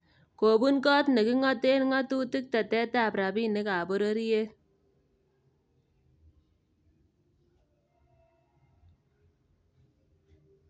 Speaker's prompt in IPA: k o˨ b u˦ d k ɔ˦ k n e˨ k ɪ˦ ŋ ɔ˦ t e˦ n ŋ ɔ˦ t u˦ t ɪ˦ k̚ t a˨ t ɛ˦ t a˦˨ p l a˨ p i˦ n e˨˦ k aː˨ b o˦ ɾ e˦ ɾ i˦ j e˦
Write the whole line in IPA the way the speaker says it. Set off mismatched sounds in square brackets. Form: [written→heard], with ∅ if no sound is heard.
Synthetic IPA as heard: k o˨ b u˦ [d→n] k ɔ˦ [k→t] n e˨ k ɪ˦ ŋ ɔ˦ t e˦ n ŋ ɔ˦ t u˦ t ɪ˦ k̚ t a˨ t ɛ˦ t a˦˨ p [l→ɾ] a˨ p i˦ n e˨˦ k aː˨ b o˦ ɾ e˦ ɾ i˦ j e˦